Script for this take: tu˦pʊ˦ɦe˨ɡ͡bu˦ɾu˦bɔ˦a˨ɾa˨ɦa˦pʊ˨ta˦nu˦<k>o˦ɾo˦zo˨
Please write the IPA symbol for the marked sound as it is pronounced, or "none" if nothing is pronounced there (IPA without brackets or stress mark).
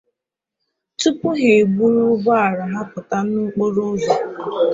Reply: k͡p